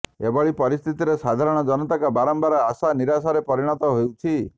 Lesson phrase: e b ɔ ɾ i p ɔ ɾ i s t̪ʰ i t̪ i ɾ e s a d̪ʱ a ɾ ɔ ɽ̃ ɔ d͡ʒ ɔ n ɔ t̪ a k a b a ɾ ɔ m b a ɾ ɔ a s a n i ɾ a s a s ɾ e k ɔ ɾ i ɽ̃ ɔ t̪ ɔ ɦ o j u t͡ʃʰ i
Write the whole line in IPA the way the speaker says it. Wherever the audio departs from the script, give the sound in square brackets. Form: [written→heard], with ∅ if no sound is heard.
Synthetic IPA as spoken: e b ɔ [ɾ→ɭ] i p ɔ ɾ i s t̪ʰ i t̪ i ɾ e s a d̪ʱ a ɾ ɔ ɽ̃ ɔ d͡ʒ ɔ n ɔ t̪ a k a b a ɾ ɔ m b a ɾ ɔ a s a n i ɾ a s a [s→∅] ɾ e [k→p] ɔ ɾ i ɽ̃ ɔ t̪ ɔ ɦ o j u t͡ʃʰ i

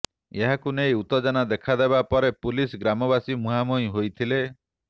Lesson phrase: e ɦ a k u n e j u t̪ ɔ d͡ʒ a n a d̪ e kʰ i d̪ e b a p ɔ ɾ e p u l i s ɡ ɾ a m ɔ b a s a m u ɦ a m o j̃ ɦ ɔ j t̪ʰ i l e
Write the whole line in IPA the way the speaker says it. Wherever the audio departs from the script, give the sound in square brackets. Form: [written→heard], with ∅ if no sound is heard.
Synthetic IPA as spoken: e ɦ a k u n e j u t̪ ɔ d͡ʒ a n a d̪ e kʰ [i→a] d̪ e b a p ɔ ɾ e p u l i s ɡ ɾ a m ɔ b a s [a→i] m u ɦ a m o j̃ ɦ [ɔ→o] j t̪ʰ i l e

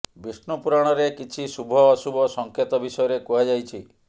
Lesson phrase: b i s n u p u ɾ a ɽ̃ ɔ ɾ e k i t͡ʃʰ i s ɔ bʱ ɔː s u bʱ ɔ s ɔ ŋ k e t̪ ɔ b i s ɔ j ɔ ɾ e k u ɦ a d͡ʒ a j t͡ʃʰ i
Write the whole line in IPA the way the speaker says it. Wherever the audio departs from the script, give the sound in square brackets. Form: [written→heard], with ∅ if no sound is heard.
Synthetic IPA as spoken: b i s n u p u ɾ a ɽ̃ ɔ ɾ e k i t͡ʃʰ i s [ɔ→u] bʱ ɔː s u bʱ ɔ s ɔ ŋ k e t̪ ɔ b i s ɔ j ɔ ɾ e k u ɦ a d͡ʒ a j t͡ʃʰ i

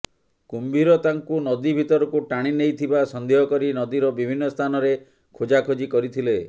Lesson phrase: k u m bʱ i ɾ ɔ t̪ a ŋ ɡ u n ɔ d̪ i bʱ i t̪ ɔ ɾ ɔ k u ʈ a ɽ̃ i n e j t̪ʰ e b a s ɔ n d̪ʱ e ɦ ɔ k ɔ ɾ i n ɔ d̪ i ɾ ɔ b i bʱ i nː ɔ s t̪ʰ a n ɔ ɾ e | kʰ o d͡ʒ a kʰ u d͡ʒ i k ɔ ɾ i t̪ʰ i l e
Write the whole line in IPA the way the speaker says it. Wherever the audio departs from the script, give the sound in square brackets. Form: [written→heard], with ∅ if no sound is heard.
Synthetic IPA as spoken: k u m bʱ i ɾ ɔ t̪ a ŋ [ɡ→k] u n ɔ d̪ i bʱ i t̪ ɔ ɾ ɔ k u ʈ a ɽ̃ i n e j t̪ʰ [e→i] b a s ɔ n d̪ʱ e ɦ ɔ k ɔ ɾ i n ɔ d̪ i ɾ ɔ b i bʱ i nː ɔ s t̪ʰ a n ɔ ɾ e | kʰ o d͡ʒ a kʰ [u→o] d͡ʒ i k ɔ ɾ i t̪ʰ i l e

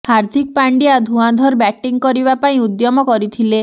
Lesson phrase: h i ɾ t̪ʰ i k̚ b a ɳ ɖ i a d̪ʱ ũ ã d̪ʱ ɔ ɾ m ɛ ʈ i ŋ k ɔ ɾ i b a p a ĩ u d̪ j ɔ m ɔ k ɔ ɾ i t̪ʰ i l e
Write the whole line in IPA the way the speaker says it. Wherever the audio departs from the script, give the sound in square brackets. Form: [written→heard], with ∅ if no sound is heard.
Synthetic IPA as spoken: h [i→a] ɾ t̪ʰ i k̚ [b→p] a ɳ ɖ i a d̪ʱ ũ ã d̪ʱ ɔ ɾ [m→b] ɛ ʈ i ŋ k ɔ ɾ i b a p a ĩ u d̪ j ɔ m ɔ k ɔ ɾ i t̪ʰ i l e

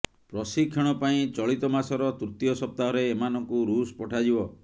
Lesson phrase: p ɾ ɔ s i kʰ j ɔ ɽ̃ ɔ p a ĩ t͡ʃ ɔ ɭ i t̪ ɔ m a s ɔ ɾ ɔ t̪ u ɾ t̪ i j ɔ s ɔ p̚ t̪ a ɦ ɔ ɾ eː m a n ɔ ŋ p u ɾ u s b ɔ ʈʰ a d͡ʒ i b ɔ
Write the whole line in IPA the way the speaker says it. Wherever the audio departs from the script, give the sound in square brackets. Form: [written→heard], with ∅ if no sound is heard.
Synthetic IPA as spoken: p ɾ ɔ s i kʰ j ɔ ɽ̃ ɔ p a ĩ t͡ʃ ɔ ɭ i t̪ ɔ m a s ɔ ɾ ɔ t̪ u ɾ t̪ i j ɔ s ɔ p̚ t̪ a ɦ ɔ ɾ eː m a n ɔ ŋ [p→k] u ɾ u s [b→p] ɔ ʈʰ a d͡ʒ i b ɔ

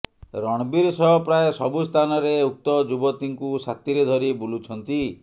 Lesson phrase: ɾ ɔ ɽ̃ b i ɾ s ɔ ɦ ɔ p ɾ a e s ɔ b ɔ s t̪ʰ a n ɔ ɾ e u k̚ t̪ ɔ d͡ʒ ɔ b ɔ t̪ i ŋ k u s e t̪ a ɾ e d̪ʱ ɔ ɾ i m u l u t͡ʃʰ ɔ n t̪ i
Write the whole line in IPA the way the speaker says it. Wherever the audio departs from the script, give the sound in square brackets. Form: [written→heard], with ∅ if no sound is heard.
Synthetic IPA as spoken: ɾ ɔ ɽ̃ b i ɾ s ɔ ɦ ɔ p ɾ a e s ɔ b [ɔ→u] s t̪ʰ a n ɔ ɾ e u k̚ t̪ ɔ d͡ʒ [ɔ→u] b ɔ t̪ i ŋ k u s [e→a] t̪ [a→i] ɾ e d̪ʱ ɔ ɾ i [m→b] u l u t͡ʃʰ ɔ n t̪ i

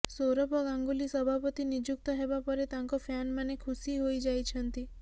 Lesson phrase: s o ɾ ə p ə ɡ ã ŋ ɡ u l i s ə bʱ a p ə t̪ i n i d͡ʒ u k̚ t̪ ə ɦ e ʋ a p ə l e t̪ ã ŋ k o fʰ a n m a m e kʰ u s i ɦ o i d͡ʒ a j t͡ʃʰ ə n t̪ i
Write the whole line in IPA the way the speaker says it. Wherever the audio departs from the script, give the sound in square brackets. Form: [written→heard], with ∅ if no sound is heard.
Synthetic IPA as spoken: s o ɾ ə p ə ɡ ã ŋ ɡ u l i s ə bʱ a p ə t̪ i n i d͡ʒ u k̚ t̪ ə ɦ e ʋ a p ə [l→ɾ] e t̪ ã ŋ k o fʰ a n m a [m→n] e kʰ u s i ɦ o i d͡ʒ a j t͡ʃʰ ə n t̪ i

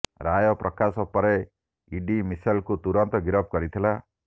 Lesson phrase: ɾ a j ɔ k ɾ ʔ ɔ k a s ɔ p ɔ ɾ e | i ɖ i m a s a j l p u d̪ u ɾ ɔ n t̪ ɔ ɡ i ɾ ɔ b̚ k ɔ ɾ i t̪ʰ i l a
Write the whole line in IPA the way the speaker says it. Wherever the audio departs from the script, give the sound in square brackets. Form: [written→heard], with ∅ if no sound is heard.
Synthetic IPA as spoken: ɾ a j ɔ [k→p] ɾ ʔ ɔ k a s ɔ p ɔ ɾ e | i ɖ i m [a→i] s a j l [p→k] u [d̪→t̪] u ɾ ɔ n t̪ ɔ ɡ i ɾ ɔ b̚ k ɔ ɾ i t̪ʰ i l a

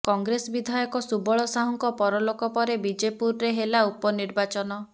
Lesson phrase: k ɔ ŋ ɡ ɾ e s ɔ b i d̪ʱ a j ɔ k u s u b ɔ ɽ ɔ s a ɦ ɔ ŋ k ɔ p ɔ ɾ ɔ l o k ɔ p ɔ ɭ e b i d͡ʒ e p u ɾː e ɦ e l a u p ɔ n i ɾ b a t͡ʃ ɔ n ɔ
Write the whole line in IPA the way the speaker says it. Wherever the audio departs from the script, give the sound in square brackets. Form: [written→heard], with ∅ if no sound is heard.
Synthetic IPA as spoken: k ɔ ŋ ɡ ɾ e s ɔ b i d̪ʱ a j ɔ k [u→ɔ] s u b ɔ [ɽ→ɭ] ɔ s a ɦ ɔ ŋ k ɔ p ɔ ɾ ɔ l o k ɔ p ɔ [ɭ→ɾ] e b i d͡ʒ e p u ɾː e ɦ e l a u p ɔ n i ɾ b a t͡ʃ ɔ n ɔ

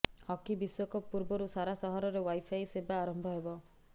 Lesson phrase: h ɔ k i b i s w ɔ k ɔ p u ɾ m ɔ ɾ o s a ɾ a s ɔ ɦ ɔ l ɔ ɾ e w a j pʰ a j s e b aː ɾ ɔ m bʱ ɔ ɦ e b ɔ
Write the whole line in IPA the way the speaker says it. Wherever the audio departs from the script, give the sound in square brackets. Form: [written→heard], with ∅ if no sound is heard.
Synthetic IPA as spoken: h ɔ k i b i s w ɔ k ɔ p u ɾ [m→b] ɔ ɾ [o→u] s a ɾ a s ɔ ɦ ɔ [l→ɾ] ɔ ɾ e w a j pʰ a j s e b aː ɾ ɔ m bʱ ɔ ɦ e b ɔ

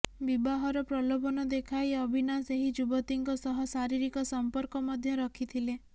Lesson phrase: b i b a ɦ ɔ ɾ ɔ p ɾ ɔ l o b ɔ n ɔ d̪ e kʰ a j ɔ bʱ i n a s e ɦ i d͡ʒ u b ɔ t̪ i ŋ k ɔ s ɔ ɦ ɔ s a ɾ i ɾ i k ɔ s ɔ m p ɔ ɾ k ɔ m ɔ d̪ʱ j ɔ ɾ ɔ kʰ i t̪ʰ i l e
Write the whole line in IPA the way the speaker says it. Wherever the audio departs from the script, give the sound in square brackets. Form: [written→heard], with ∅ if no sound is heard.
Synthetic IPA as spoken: b i b a ɦ ɔ ɾ ɔ p ɾ ɔ l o b ɔ n ɔ d̪ e kʰ a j ɔ bʱ i n a s e ɦ i d͡ʒ u b ɔ t̪ i ŋ k ɔ s ɔ ɦ ɔ s a ɾ i ɾ i k ɔ s ɔ m p ɔ ɾ k ɔ m ɔ d̪ʱ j ɔ ɾ ɔ kʰ i t̪ʰ i l e

